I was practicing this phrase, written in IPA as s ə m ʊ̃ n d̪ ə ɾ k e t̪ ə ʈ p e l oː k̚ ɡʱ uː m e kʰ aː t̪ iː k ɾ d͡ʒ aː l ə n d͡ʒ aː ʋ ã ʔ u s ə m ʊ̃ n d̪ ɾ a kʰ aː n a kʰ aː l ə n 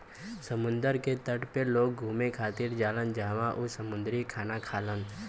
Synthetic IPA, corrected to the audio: s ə m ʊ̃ n d̪ ə ɾ k e t̪ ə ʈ p e l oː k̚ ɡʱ uː m e kʰ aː t̪ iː ɾ d͡ʒ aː l ə n d͡ʒ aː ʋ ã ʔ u s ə m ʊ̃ n d̪ ɾ i kʰ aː n a kʰ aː l ə n